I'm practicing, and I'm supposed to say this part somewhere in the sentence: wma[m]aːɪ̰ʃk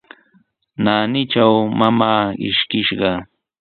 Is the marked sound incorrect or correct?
correct